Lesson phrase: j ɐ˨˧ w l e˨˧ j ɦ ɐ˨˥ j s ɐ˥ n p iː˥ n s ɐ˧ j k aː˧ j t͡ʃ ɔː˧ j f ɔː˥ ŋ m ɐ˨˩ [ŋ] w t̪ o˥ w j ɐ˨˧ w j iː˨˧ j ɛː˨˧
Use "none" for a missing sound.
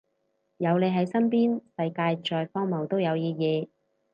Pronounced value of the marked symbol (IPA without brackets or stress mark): none